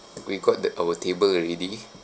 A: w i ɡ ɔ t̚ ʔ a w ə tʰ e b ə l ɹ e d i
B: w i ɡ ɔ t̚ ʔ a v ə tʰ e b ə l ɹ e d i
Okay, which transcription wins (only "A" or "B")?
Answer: A